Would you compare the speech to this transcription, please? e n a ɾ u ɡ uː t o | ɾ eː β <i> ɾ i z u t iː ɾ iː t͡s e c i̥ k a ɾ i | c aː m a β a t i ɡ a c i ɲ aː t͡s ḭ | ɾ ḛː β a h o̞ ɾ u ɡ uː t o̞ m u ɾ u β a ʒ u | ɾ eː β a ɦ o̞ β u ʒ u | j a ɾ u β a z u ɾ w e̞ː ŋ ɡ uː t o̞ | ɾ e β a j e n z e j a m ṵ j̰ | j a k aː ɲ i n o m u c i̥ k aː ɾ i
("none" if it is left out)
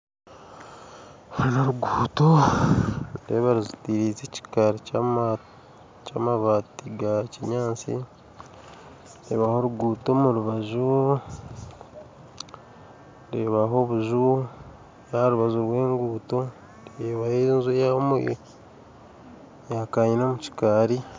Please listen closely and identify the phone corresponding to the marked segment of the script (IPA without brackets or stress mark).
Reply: a